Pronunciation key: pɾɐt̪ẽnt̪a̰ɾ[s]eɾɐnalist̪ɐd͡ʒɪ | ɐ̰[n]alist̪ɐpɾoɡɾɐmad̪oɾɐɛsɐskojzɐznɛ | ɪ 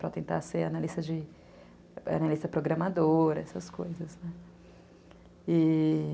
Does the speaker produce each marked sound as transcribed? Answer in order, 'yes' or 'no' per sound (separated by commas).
yes, yes